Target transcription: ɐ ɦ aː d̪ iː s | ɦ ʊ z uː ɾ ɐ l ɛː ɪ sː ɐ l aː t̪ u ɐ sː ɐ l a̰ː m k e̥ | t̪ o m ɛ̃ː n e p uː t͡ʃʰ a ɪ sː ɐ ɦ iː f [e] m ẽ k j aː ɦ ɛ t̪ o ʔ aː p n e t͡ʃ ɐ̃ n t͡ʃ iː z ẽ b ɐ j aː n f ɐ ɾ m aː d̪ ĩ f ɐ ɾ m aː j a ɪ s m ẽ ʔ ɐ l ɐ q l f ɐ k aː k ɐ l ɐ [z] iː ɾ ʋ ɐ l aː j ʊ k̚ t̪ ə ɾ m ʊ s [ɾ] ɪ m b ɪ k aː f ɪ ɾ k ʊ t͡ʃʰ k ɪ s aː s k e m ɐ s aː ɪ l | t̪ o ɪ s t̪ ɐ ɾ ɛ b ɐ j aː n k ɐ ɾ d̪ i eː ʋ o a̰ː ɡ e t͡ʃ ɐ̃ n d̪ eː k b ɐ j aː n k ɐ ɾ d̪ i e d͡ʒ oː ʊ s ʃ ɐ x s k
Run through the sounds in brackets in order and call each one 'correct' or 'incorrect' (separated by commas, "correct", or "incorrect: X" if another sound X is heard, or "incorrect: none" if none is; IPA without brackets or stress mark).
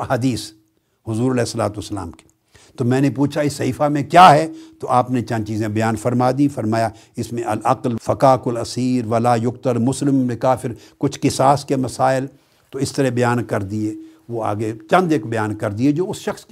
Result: incorrect: a, incorrect: s, incorrect: l